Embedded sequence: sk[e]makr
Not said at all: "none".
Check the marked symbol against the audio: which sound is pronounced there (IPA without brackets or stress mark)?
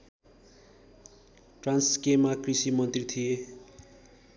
e